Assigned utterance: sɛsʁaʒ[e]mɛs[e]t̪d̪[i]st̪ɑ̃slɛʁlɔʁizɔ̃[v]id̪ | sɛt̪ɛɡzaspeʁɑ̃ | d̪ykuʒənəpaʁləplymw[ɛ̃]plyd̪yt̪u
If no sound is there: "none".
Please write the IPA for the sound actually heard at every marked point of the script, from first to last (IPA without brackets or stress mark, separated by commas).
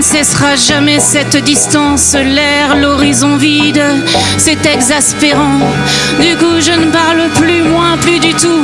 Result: a, ɛ, i, v, ɛ̃